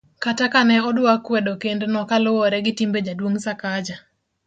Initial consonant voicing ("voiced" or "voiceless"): voiceless